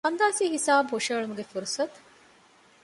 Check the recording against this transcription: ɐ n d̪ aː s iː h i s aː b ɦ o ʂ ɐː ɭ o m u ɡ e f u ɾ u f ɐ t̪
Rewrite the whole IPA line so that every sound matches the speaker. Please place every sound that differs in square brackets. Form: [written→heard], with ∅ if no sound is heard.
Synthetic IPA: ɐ n d̪ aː s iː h i s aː b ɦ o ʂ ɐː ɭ [o→u] m u ɡ e f u ɾ u [f→s] ɐ t̪